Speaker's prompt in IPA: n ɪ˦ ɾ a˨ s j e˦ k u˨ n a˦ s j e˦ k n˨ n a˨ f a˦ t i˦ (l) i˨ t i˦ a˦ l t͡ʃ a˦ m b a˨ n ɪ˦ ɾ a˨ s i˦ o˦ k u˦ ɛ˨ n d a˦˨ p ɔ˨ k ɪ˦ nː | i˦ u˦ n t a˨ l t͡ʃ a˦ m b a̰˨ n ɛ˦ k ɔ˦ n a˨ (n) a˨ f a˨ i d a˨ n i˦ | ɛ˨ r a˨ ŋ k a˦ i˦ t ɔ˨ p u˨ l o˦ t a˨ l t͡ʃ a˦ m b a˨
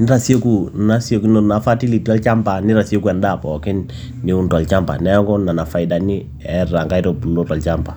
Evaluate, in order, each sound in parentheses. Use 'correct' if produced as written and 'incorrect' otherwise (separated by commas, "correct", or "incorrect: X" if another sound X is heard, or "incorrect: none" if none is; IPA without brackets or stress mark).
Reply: correct, correct